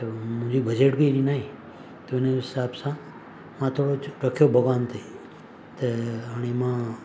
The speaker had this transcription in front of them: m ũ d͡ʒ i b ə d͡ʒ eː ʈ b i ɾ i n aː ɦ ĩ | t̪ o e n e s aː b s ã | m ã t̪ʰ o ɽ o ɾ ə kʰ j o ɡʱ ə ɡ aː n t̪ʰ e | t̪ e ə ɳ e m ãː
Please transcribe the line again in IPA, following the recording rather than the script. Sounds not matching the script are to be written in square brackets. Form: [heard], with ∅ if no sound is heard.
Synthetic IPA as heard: m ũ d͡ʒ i b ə d͡ʒ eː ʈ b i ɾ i n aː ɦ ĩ | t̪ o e n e s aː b s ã | m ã t̪ʰ o ɽ o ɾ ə kʰ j o [bʱ] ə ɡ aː n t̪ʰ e | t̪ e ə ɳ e m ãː

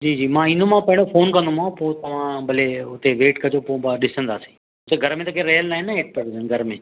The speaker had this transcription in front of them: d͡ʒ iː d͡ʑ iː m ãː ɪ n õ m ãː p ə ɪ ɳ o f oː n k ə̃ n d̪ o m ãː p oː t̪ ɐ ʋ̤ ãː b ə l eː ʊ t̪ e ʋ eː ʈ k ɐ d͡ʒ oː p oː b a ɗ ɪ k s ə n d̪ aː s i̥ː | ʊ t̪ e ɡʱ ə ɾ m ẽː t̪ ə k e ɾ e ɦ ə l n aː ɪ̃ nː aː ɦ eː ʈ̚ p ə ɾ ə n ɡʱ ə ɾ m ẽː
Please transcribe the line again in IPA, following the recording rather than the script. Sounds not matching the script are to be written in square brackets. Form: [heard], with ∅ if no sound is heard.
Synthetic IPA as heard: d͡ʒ iː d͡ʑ iː m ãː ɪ n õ m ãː p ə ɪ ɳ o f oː n k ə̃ n d̪ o m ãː p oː t̪ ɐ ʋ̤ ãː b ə l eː ʊ t̪ e ʋ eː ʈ k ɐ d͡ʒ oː p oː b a ɗ ɪ [∅] s ə n d̪ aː s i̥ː | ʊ t̪ e ɡʱ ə ɾ m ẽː t̪ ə k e ɾ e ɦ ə l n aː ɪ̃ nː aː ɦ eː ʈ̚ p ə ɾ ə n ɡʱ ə ɾ m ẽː

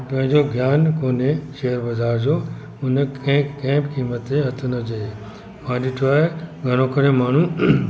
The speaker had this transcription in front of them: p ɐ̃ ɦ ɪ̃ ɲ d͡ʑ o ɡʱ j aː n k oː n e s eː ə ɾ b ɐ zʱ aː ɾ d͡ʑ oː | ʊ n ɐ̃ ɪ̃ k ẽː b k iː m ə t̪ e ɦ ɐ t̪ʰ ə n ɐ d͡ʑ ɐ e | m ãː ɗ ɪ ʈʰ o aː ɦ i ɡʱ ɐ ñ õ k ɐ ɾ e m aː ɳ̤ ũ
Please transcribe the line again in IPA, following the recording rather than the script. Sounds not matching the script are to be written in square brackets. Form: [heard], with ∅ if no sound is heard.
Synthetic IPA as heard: p ɐ̃ ɦ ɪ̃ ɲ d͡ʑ o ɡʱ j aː n k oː n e [ʃ] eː ə ɾ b ɐ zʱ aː ɾ d͡ʑ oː | ʊ n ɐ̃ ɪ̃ k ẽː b k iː m ə t̪ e ɦ ɐ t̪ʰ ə n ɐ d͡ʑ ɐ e | m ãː ɗ ɪ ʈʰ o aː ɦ [e] ɡʱ ɐ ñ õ k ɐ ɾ e m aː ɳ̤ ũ

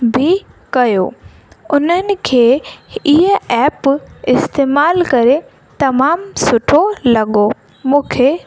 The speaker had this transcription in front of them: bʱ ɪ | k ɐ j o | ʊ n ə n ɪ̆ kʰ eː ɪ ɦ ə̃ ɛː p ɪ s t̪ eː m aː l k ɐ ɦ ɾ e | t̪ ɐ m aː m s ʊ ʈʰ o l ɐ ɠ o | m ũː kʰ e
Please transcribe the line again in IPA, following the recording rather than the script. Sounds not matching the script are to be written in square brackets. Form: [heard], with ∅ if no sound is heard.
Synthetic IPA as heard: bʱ ɪ | k ɐ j o | ʊ n ə n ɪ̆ kʰ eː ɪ ɦ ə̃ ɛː p ɪ s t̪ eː m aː l k ɐ [∅] ɾ e | t̪ ɐ m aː m s ʊ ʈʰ o l ɐ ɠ o | m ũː kʰ e

